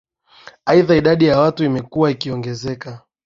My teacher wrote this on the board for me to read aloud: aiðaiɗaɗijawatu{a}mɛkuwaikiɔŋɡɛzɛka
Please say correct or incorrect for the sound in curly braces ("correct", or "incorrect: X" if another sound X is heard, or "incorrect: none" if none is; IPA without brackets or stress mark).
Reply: incorrect: i